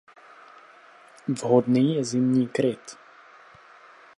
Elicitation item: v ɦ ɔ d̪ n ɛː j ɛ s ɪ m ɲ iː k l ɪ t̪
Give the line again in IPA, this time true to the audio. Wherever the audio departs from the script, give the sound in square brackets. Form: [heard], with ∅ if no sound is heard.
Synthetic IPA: v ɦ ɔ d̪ n [iː] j ɛ [z] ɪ m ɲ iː k [ɾ] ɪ t̪